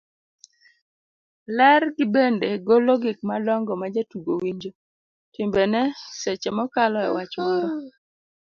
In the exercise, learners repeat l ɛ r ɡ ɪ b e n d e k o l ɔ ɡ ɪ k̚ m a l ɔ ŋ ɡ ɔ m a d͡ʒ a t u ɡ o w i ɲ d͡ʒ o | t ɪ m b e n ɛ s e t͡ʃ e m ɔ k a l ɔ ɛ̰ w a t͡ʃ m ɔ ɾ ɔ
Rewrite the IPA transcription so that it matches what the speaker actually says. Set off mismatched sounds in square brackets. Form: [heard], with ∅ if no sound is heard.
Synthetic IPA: l ɛ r ɡ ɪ b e n d e [ɡ] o l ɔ ɡ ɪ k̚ m a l ɔ ŋ ɡ ɔ m a d͡ʒ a t u ɡ o w i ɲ d͡ʒ o | t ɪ m b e n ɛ s e t͡ʃ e m ɔ k a l ɔ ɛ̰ w a t͡ʃ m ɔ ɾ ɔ